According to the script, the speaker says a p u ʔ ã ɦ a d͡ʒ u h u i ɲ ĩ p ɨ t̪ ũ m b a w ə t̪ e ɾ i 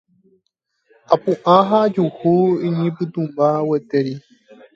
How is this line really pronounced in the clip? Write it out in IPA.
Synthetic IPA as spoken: a p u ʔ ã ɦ a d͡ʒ u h u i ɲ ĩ p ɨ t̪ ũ m b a w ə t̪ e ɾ i